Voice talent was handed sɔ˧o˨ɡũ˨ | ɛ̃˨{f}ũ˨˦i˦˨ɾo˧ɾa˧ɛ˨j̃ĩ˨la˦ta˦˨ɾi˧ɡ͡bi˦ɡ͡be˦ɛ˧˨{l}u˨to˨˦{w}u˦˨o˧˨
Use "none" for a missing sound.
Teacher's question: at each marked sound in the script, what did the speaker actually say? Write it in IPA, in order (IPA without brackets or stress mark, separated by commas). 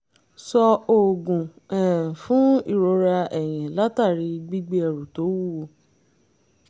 f, ɾ, w